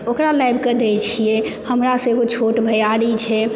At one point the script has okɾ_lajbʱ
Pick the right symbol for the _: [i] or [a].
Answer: a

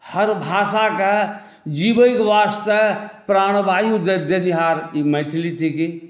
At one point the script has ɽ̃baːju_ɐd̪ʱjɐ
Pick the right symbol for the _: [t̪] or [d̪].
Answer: d̪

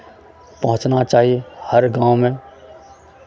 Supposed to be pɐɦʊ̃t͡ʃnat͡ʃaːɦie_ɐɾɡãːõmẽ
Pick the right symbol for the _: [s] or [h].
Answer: h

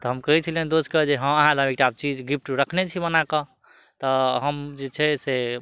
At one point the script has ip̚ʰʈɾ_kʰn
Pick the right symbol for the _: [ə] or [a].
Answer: ə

